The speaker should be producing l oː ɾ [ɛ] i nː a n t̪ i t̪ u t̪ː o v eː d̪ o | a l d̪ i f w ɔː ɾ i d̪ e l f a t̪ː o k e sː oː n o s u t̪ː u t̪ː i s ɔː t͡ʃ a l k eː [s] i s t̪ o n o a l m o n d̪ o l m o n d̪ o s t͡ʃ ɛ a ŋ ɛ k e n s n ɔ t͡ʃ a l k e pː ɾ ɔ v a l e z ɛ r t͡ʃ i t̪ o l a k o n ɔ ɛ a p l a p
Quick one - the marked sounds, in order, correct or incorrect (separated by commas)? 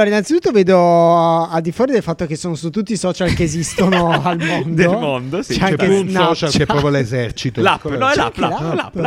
incorrect, incorrect